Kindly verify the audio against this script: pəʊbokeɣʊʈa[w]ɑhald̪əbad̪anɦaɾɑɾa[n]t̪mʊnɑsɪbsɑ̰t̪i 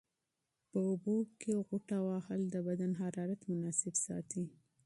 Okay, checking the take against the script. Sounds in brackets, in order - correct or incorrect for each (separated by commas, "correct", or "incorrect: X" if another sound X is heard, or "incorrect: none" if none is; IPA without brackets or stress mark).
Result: correct, incorrect: none